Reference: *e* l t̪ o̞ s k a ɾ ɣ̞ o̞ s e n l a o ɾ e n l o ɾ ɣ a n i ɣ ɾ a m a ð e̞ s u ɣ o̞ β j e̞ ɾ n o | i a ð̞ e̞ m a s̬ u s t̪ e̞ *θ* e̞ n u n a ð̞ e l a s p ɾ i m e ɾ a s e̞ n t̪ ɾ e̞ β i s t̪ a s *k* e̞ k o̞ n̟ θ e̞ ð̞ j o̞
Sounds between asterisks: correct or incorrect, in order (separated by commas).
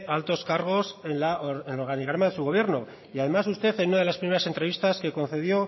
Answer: incorrect, correct, correct